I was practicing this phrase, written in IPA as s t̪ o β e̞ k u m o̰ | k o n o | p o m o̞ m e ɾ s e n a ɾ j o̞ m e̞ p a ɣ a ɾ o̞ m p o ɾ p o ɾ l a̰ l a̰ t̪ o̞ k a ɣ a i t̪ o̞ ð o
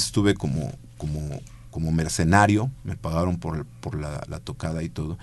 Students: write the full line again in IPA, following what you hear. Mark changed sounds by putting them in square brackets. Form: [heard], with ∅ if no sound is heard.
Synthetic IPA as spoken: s t̪ [u] β e̞ k [o] m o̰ | k o [m] o | [k] o m o̞ m e ɾ s e n a ɾ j o̞ m e̞ p a ɣ a ɾ o̞ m p o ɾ p o ɾ l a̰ l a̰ t̪ o̞ k a [ð] a i t̪ o̞ ð o